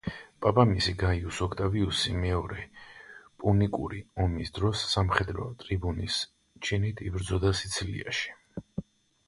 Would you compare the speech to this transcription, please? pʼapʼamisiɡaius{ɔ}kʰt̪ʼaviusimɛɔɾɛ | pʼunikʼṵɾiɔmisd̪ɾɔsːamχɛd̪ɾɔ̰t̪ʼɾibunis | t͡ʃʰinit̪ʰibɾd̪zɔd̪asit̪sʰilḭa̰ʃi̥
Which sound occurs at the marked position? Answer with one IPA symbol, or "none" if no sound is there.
ɔ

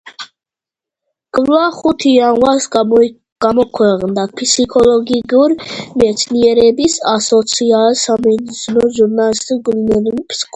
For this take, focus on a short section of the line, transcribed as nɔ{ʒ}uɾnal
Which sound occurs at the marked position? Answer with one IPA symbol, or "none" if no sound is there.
ʒ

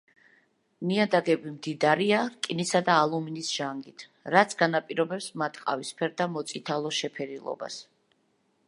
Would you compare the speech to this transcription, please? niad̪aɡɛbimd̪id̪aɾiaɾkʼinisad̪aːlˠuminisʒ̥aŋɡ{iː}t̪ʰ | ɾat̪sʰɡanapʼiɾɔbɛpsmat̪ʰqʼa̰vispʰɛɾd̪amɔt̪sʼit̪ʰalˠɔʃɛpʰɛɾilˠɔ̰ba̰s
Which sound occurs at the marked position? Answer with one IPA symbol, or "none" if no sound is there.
i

